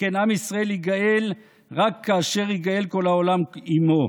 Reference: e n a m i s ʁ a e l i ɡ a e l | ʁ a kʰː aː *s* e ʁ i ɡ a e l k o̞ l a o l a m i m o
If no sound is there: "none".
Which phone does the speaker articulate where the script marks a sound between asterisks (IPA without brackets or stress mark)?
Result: ʃ